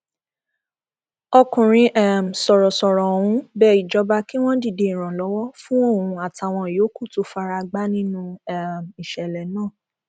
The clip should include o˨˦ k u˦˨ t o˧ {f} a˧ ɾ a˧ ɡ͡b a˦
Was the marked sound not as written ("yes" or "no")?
no